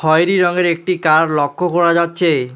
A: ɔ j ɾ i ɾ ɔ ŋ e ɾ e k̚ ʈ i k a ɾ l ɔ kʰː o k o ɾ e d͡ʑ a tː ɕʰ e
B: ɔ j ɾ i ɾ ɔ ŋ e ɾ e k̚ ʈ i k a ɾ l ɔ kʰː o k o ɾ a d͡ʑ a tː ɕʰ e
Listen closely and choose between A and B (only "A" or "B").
B